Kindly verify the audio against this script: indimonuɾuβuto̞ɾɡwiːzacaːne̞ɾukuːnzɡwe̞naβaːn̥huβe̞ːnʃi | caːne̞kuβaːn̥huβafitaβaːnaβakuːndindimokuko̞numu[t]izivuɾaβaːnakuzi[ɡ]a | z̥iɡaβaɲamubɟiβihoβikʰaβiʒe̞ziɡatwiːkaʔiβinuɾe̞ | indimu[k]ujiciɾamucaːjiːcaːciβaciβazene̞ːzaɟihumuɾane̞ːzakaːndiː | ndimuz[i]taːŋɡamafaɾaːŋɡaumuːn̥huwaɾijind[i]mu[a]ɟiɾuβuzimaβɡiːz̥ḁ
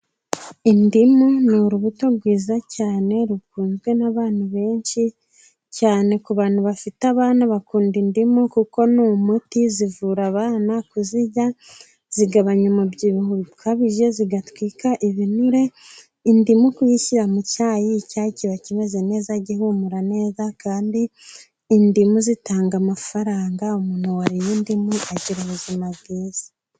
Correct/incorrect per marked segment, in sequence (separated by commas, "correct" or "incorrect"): correct, incorrect, correct, correct, correct, correct